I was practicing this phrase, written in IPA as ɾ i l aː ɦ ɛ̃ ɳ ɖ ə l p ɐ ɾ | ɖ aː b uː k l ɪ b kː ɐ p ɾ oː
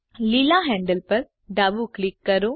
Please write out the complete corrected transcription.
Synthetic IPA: l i l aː ɦ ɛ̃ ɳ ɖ ə l p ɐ ɾ | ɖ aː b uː k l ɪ kː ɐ ɾ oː

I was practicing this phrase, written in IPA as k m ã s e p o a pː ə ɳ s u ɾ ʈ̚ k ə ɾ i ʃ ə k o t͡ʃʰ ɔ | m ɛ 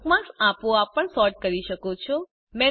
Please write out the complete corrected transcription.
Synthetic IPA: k m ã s a p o a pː ə ɳ s ɔ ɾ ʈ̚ k ə ɾ i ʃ ə k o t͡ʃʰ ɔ | m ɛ

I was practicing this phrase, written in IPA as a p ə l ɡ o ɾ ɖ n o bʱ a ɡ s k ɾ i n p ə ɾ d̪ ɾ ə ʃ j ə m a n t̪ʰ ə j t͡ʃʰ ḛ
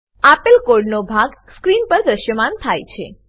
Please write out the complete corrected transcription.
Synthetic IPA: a p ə l k o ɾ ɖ n o bʱ a ɡ s k ɾ i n p ə ɾ d̪ ɾ ə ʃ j ə m a n t̪ʰ a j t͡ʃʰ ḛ

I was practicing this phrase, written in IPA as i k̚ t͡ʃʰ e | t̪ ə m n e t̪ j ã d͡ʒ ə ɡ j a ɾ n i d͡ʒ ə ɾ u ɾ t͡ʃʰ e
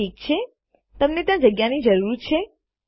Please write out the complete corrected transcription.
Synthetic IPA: i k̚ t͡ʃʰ e | t̪ ə m n e t̪ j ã d͡ʒ ə ɡ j a n i d͡ʒ ə ɾ u ɾ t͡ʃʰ e

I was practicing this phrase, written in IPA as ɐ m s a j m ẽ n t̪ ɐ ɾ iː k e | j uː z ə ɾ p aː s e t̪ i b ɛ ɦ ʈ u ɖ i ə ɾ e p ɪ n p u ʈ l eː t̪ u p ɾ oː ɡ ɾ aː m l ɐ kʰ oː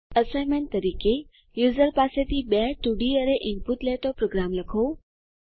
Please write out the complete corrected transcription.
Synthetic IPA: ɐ s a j m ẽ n t̪ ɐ ɾ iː k e | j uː z ə ɾ p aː s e t̪ i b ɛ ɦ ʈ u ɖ i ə ɾ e ʔ ɪ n p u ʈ l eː t̪ o p ɾ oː ɡ ɾ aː m l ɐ kʰ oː

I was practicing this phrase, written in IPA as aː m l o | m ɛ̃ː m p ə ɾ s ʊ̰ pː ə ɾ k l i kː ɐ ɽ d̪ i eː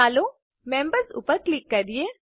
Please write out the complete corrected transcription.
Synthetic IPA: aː l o | m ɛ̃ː m b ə ɾ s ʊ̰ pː ə ɾ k l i kː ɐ ɾ d̪ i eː

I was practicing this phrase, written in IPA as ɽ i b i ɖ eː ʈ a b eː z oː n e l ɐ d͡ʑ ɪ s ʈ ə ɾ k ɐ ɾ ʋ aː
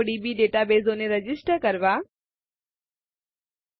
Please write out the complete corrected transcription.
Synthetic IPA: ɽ i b i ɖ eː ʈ a b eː z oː n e ɾ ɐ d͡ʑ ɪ s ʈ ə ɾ k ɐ ɾ ʋ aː

